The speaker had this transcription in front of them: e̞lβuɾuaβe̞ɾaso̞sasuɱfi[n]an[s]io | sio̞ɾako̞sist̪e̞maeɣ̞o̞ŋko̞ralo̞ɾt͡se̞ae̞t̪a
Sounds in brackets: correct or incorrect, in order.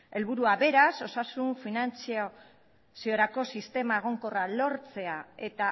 correct, incorrect

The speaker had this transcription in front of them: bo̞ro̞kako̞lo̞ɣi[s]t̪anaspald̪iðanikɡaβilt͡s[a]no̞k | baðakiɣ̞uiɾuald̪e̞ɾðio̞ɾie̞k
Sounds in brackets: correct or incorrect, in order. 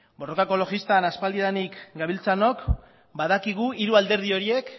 correct, correct

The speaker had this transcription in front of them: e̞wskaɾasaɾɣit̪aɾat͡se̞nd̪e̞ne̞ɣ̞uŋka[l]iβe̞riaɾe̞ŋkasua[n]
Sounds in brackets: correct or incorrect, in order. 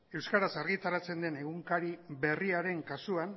incorrect, correct

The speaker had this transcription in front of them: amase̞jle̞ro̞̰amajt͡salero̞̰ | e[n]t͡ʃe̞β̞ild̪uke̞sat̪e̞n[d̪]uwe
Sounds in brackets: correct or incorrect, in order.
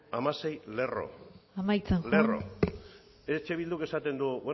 incorrect, correct

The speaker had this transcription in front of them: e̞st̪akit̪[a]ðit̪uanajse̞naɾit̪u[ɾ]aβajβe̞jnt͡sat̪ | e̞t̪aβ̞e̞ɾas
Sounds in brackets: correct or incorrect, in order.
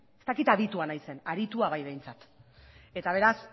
correct, incorrect

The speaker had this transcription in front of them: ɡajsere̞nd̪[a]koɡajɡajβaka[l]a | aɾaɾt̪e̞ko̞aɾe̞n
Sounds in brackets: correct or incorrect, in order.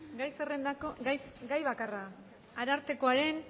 correct, incorrect

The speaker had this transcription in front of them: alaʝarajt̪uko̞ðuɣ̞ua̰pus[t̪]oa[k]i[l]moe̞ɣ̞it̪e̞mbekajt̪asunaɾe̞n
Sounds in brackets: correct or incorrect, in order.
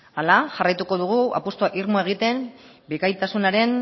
correct, incorrect, incorrect

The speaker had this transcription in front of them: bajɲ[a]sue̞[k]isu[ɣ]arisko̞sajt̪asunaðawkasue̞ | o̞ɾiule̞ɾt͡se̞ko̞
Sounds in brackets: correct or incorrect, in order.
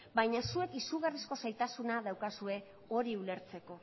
correct, correct, correct

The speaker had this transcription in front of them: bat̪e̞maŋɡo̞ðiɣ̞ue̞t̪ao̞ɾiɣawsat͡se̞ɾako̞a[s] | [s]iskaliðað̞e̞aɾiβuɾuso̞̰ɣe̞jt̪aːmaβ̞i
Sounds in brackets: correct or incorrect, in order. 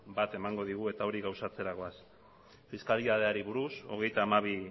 correct, incorrect

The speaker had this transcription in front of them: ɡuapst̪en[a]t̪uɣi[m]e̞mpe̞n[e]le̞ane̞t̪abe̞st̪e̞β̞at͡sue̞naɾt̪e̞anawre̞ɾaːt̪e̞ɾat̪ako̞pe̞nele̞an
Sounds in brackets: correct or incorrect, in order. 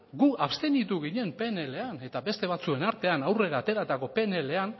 incorrect, incorrect, correct

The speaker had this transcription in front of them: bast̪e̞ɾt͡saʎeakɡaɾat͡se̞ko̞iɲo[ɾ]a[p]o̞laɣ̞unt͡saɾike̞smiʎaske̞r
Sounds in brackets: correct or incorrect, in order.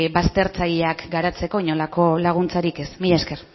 incorrect, incorrect

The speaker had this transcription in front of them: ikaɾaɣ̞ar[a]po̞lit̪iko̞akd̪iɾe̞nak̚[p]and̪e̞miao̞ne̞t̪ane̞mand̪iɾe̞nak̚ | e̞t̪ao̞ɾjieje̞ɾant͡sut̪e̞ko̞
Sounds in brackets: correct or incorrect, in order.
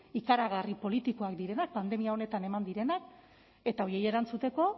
incorrect, correct

